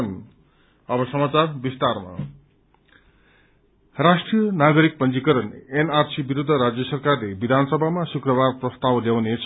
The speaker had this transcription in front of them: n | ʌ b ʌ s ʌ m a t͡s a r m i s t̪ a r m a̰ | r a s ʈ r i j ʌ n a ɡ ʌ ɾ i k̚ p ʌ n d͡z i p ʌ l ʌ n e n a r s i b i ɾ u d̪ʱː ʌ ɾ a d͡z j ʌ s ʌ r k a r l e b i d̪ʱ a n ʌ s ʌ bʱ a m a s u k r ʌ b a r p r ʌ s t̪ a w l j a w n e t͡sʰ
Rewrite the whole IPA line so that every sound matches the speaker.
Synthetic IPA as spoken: n | ʌ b ʌ s ʌ m a t͡s a r b i s t̪ a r m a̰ | r a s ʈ r i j ʌ n a ɡ ʌ ɾ i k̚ p ʌ n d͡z i k ʌ ɾ ʌ n e n a r s i b i ɾ u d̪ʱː ʌ ɾ a d͡z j ʌ s ʌ r k a r l e b i d̪ʱ a n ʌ s ʌ bʱ a m a s u k r ʌ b a r p r ʌ s t̪ a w l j a w n e t͡sʰ